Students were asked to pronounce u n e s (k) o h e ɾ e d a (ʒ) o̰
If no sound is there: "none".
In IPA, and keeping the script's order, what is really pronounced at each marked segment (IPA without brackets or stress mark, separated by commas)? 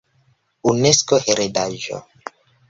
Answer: k, ʒ